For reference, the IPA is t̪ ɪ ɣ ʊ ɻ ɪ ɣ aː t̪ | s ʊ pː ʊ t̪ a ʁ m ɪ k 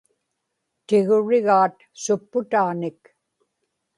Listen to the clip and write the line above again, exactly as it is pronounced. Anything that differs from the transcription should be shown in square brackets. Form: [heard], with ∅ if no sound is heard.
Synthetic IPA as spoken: t̪ ɪ ɣ ʊ ɻ ɪ ɣ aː t̪ | s ʊ pː ʊ t̪ a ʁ [n] ɪ k